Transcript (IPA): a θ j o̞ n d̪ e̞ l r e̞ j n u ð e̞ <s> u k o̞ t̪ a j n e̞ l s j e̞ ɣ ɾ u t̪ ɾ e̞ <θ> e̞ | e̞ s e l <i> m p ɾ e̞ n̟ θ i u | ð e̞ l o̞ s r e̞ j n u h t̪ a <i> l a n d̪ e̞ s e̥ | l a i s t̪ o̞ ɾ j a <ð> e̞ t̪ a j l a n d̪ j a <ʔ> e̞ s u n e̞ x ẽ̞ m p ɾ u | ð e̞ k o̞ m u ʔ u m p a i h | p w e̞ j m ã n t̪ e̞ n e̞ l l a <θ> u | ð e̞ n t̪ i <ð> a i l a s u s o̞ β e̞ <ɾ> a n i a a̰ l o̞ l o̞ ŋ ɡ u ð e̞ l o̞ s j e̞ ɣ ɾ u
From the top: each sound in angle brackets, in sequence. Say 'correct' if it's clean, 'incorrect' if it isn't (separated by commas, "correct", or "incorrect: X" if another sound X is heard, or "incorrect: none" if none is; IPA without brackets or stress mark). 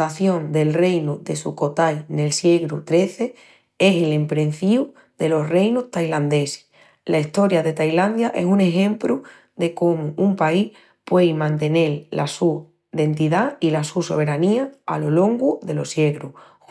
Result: correct, correct, incorrect: e, incorrect: j, correct, correct, incorrect: s, correct, correct